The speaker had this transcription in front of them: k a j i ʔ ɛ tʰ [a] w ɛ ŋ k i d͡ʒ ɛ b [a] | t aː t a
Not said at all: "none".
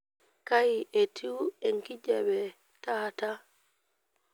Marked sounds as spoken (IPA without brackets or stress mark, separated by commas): i, ɛ